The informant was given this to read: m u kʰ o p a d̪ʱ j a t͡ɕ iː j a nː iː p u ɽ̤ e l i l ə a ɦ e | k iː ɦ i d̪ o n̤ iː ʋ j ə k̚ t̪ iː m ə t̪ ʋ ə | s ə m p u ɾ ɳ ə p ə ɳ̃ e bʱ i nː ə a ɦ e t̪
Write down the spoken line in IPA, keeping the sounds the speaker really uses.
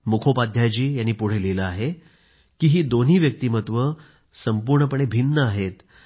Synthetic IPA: m u kʰ o p a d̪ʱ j a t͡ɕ iː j a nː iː p u ɽ̤ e l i l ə a ɦ e | k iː ɦ iː d̪ o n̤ iː ʋ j ə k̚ t̪ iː m ə t̪ ʋ ə | s ə m p u ɾ ɳ ə p ə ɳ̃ e bʱ i nː ə a ɦ e t̪